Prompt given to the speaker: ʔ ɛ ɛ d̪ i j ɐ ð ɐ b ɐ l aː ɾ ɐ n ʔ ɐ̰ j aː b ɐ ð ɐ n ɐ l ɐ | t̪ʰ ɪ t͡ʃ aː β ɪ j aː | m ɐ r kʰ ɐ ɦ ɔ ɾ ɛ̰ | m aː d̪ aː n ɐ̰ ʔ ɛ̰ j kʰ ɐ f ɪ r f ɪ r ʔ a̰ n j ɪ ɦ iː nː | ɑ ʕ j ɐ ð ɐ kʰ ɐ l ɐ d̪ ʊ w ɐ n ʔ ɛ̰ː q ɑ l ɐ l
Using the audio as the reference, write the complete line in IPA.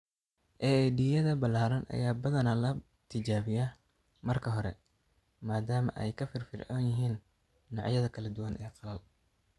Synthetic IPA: ʔ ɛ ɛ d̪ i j ɐ ð ɐ b ɐ l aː ɾ ɐ n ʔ ɐ̰ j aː b ɐ ð ɐ n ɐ l ɐ | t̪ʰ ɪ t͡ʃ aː β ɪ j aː | m ɐ r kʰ ɐ ɦ ɔ ɾ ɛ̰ | m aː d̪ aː m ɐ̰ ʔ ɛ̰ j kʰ ɐ f ɪ r f ɪ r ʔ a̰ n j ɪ ɦ iː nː | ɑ ʕ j ɐ ð ɐ kʰ ɐ l ɐ d̪ ʊ w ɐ n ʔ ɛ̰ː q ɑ l ɐ l

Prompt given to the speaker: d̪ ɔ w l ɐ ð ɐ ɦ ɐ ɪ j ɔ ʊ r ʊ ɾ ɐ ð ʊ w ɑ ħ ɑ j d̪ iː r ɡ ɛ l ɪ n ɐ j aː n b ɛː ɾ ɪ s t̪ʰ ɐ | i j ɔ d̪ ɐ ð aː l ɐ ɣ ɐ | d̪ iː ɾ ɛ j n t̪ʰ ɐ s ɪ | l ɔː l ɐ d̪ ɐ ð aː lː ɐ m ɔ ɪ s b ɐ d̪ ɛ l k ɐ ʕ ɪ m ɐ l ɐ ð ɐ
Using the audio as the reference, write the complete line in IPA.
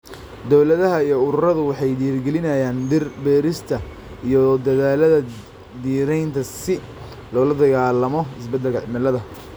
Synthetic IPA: d̪ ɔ w l ɐ ð ɐ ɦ ɐ i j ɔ ʊ ɾ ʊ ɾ ɐ ð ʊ w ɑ ħ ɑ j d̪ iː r ɡ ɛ l ɪ n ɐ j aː n b ɛː ɾ ɪ s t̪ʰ ɐ | i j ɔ d̪ ɐ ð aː l ɐ ð ɐ | d̪ iː ɾ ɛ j n t̪ʰ ɐ s ɪ | l ɔː l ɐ d̪ ɐ ɣ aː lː ɐ m ɔ ɪ s b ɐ d̪ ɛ l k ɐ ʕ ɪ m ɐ l ɐ ð ɐ

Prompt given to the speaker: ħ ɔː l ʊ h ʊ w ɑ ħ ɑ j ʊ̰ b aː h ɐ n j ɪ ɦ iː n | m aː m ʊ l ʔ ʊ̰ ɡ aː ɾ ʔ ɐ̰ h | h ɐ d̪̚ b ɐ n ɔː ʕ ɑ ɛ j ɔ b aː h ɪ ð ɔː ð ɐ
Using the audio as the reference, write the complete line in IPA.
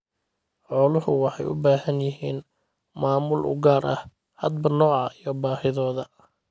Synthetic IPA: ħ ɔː l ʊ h ʊ w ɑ ħ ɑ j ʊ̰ b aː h ɐ n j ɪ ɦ iː n | m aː m ʊ l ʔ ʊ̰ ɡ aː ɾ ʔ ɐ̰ h | h ɐ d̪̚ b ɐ n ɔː ʕ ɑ i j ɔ b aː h ɪ ð ɔː ð ɐ

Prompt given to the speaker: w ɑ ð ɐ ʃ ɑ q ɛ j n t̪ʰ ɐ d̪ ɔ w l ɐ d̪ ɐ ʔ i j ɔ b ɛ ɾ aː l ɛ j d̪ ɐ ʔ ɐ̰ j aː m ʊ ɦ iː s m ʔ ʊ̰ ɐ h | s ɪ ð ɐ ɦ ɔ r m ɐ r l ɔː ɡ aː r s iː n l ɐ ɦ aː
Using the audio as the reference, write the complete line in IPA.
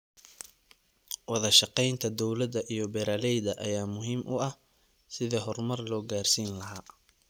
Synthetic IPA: w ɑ ð ɐ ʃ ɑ q ɛ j n t̪ʰ ɐ d̪ ɔ w l ɐ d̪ ɐ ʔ i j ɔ b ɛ ɾ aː l ɛ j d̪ ɐ ʔ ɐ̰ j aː m ʊ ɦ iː m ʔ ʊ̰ ɐ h | s ɪ ð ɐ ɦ ɔ r m ɐ r l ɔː ɡ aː r s iː n l ɐ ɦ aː

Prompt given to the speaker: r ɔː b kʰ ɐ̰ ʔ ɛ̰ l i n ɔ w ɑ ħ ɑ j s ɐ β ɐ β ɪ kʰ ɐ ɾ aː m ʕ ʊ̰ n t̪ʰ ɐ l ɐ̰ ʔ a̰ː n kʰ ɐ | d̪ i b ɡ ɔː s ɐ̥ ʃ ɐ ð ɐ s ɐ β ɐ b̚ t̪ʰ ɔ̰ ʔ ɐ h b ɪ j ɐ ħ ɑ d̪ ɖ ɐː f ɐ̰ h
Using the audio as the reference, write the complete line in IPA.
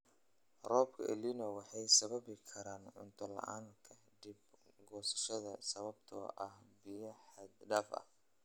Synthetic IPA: r ɔː b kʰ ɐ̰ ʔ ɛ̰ l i n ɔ w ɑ ħ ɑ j s ɐ β ɐ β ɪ kʰ ɐ ɾ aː n ʕ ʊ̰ n t̪ʰ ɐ l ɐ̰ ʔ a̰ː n kʰ ɐ | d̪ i b ɡ ɔː s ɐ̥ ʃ ɐ ð ɐ s ɐ β ɐ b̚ t̪ʰ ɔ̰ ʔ ɐ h b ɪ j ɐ ħ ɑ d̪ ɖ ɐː f ɐ̰ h

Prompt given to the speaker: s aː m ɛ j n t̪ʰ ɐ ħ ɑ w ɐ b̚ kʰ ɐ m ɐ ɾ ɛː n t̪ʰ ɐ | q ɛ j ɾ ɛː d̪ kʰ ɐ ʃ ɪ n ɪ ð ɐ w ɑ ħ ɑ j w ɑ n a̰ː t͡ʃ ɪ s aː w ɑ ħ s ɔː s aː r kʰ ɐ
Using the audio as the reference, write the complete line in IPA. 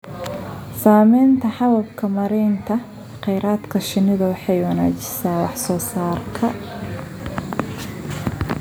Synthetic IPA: s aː m ɛ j n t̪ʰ ɐ ħ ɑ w ɐ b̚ kʰ ɐ m ɐ ɾ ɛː n t̪ʰ ɐ | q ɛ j ɾ aː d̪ kʰ ɐ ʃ ɪ n ɪ ð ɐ w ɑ ħ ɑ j w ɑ n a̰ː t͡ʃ ɪ s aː w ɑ ħ s ɔː s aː r kʰ ɐ

